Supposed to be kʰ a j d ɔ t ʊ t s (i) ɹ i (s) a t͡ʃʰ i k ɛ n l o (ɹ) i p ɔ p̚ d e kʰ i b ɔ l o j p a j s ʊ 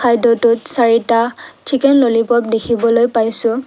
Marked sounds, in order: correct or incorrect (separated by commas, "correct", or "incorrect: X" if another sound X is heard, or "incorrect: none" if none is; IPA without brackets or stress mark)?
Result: incorrect: a, incorrect: t, incorrect: l